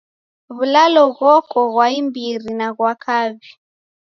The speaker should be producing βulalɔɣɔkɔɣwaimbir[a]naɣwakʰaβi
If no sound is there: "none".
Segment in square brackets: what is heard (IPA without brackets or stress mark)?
i